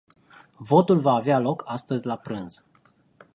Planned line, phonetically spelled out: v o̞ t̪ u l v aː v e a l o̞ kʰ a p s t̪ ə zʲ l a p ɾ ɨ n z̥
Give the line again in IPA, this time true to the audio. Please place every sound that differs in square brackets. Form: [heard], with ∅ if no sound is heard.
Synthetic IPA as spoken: v o̞ t̪ u l v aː v e a l o̞ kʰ a [∅] s t̪ ə zʲ l a p ɾ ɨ n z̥